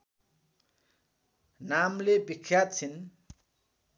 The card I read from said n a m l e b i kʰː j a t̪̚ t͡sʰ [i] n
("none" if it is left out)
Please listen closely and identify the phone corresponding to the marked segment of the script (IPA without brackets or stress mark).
i